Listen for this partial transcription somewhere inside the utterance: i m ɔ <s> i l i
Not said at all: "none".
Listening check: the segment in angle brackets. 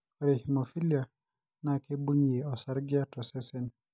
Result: f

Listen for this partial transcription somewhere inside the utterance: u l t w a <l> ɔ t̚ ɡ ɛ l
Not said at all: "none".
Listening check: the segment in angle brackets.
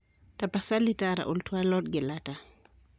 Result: l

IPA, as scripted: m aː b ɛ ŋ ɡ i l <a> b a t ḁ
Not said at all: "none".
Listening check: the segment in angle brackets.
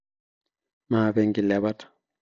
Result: ɛ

